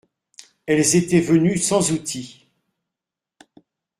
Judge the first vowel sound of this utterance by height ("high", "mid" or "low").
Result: mid